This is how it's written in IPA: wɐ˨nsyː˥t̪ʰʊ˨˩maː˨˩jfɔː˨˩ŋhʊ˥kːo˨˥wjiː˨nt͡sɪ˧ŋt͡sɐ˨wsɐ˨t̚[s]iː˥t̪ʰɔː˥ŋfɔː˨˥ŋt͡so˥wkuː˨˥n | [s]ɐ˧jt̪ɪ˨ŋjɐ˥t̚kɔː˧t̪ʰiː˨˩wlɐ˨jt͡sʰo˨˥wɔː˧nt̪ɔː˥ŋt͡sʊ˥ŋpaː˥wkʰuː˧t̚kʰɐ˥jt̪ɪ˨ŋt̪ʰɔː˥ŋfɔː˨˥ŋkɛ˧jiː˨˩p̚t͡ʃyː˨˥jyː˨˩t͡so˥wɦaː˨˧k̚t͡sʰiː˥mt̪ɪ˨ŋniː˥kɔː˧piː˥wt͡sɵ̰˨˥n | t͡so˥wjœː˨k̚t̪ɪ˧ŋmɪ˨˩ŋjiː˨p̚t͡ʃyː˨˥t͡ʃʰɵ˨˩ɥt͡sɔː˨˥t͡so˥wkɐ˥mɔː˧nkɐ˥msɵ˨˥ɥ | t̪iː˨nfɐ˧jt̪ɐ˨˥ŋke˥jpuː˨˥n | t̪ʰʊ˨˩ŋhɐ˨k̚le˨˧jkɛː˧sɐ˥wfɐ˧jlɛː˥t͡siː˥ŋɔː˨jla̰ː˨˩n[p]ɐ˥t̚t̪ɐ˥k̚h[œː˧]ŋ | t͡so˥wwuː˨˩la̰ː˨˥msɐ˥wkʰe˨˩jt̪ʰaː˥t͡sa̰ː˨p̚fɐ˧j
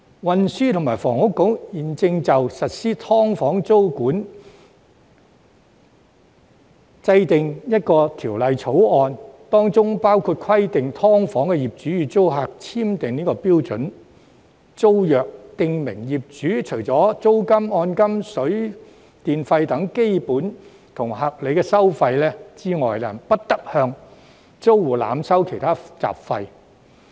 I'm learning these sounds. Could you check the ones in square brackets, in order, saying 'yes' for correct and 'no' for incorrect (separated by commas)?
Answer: yes, no, yes, yes